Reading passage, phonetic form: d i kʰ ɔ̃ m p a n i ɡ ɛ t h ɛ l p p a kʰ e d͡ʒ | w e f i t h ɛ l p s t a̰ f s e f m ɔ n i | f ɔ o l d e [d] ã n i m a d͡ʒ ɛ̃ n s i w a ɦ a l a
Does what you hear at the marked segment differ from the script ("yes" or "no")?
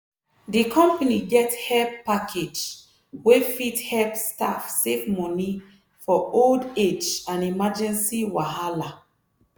yes